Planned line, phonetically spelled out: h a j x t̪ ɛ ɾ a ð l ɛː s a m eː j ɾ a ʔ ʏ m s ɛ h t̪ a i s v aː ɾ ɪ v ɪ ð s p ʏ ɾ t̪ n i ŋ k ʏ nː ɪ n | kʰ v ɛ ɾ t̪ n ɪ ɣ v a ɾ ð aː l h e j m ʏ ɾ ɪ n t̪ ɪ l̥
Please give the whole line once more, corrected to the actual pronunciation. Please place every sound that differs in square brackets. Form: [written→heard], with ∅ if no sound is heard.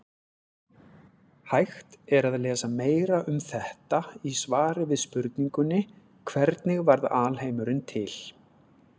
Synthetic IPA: h a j x t̪ ɛ ɾ a ð l ɛː s a m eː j ɾ a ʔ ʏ m [s→θ] ɛ h t̪ a i s v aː ɾ ɪ v ɪ ð s p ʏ ɾ t̪ n i ŋ k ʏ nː ɪ [n→∅] | kʰ v ɛ ɾ t̪ n ɪ ɣ v a ɾ ð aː l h e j m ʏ ɾ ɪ n [t̪→t̪ʰ] ɪ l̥